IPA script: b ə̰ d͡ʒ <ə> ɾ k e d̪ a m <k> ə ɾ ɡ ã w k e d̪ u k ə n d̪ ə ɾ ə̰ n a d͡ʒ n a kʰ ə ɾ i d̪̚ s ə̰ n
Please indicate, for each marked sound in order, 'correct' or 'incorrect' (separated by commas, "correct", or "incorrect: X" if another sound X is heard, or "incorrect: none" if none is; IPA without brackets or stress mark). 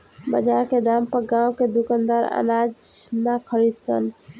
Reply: incorrect: a, incorrect: p